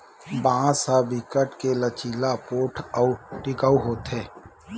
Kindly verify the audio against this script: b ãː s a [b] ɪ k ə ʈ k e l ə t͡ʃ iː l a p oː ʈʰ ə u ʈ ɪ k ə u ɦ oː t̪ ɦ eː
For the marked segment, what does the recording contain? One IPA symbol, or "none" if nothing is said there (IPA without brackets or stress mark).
b